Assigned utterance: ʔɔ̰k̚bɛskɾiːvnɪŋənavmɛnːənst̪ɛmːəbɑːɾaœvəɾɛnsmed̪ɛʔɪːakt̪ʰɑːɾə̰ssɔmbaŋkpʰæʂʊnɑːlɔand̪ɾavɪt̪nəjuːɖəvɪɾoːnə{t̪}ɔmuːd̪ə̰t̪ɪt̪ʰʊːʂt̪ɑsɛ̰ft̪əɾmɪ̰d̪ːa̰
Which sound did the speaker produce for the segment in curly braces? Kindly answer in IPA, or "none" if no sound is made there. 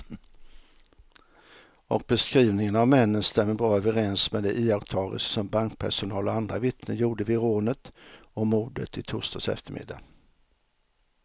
t̪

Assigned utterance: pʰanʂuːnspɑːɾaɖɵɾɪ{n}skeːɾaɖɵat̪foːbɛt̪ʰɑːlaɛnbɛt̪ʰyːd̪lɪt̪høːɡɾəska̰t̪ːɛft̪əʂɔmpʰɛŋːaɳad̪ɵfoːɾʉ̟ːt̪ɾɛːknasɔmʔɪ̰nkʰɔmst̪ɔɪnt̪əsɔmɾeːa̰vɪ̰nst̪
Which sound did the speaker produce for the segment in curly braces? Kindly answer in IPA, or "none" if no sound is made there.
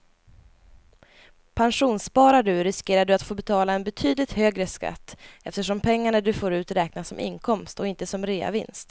none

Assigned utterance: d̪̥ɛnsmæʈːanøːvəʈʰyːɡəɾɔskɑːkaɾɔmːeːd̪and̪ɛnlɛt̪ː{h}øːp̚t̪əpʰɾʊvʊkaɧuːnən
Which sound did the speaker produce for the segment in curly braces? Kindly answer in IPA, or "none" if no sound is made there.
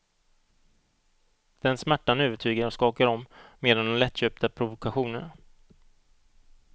ɕ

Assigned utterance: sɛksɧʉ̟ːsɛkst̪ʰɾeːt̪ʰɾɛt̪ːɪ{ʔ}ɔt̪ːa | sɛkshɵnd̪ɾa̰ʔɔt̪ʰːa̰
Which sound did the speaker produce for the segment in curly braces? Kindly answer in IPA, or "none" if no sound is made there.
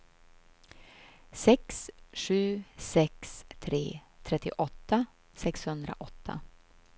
ʔ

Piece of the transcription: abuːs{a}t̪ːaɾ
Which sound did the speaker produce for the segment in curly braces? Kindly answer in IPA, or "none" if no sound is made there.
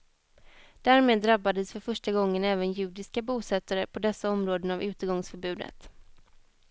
ɛ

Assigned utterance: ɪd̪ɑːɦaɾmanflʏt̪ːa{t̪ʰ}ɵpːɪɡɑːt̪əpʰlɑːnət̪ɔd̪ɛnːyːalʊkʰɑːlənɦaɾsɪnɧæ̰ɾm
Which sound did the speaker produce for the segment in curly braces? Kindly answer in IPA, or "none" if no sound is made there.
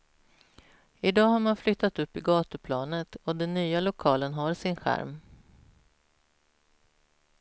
t̪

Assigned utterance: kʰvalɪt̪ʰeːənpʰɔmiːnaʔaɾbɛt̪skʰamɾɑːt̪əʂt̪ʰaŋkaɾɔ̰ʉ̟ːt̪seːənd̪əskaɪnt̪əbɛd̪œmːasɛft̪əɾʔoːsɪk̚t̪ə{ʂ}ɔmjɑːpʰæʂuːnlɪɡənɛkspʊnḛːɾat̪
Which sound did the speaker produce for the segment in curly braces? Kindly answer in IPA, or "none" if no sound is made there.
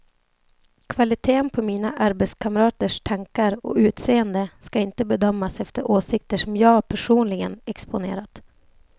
ʂ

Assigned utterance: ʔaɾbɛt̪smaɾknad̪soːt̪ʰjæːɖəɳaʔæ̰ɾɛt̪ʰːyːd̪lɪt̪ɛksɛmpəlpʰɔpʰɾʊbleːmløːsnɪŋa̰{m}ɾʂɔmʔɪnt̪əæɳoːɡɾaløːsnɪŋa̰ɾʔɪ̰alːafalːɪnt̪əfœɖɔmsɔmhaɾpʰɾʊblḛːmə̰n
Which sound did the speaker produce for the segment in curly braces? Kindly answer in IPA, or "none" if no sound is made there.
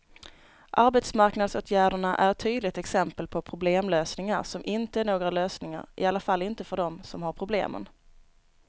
none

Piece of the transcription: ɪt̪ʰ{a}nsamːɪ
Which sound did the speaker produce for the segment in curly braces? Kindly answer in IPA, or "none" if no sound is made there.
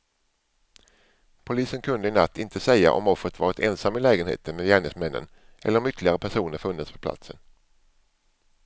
ɛ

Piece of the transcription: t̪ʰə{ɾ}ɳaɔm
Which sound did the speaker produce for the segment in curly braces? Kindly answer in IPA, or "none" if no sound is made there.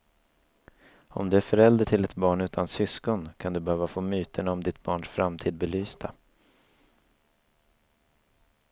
none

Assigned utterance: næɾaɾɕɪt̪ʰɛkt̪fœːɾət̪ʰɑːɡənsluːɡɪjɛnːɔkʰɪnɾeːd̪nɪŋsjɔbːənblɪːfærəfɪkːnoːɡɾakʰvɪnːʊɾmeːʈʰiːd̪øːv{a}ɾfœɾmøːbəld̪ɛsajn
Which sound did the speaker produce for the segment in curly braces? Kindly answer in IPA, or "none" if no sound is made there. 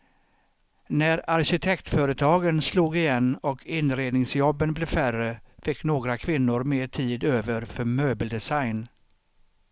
ə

